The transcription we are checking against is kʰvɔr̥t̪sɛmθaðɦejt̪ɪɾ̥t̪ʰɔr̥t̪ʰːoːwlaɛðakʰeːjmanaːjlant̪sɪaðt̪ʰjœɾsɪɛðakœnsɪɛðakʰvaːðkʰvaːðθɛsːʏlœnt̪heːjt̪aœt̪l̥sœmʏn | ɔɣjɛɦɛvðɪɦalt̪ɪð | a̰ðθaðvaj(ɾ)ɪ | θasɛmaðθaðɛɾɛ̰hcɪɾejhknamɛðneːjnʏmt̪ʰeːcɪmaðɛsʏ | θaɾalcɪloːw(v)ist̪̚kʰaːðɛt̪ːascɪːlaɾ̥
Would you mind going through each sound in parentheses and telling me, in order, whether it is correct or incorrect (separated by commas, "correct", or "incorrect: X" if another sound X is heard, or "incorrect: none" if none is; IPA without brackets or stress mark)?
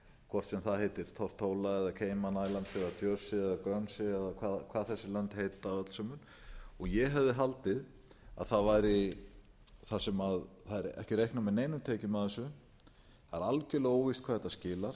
correct, correct